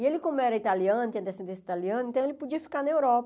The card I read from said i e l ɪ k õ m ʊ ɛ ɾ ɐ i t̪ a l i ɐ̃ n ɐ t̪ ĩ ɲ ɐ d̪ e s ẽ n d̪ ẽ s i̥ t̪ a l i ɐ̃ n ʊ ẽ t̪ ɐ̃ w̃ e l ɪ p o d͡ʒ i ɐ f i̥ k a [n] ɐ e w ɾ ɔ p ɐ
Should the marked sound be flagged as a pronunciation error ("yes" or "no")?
no